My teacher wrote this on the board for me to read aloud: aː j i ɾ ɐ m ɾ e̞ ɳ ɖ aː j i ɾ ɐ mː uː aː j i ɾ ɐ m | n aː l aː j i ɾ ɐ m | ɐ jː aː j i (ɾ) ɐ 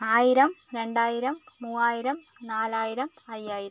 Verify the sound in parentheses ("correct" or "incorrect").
correct